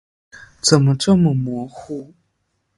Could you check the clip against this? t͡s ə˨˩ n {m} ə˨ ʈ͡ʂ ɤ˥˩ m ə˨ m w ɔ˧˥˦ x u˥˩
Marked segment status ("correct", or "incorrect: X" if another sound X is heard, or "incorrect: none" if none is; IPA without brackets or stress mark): correct